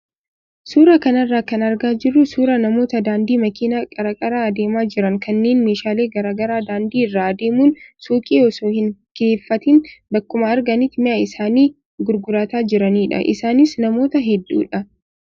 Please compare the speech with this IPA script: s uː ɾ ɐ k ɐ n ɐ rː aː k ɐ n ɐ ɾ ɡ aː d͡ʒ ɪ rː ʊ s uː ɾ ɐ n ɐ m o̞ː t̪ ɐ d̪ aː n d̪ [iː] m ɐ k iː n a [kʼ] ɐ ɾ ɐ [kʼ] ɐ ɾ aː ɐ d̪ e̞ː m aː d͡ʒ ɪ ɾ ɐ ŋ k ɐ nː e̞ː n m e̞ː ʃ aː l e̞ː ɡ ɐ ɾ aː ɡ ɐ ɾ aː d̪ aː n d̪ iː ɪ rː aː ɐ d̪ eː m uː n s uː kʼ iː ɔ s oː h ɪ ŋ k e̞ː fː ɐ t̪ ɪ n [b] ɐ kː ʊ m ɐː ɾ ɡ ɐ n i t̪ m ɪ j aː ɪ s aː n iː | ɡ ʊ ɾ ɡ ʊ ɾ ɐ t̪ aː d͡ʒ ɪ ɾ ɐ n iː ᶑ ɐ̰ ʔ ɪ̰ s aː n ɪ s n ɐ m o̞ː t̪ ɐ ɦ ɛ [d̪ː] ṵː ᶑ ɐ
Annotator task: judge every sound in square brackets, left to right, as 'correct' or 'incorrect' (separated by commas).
correct, correct, correct, correct, correct